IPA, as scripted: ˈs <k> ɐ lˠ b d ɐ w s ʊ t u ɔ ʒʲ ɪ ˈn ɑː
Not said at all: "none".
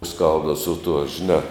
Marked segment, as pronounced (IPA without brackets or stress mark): k